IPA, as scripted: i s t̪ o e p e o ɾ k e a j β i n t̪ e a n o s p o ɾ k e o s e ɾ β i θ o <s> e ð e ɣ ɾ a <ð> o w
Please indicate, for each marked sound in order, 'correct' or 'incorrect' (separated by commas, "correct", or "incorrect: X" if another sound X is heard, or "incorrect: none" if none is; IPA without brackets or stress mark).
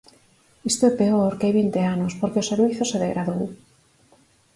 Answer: correct, correct